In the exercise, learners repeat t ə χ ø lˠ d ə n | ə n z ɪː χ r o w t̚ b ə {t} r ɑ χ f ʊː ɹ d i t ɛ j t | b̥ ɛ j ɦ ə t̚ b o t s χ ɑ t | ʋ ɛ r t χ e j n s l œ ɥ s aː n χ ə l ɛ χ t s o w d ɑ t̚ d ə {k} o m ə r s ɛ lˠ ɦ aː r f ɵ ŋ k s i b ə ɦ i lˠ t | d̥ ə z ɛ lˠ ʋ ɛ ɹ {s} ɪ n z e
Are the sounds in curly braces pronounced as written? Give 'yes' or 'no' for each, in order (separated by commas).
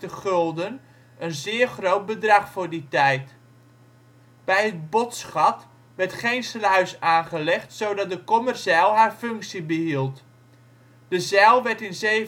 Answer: no, yes, no